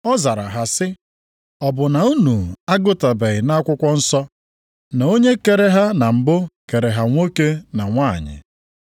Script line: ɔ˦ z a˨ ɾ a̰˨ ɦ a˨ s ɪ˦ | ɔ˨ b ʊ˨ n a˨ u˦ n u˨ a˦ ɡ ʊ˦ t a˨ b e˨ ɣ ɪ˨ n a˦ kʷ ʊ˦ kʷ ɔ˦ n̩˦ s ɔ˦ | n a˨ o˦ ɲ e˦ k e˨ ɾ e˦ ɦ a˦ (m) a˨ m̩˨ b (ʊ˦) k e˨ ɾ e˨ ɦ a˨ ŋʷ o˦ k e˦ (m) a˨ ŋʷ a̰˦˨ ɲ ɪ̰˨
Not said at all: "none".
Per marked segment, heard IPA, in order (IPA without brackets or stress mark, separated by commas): n, ʊ˦, n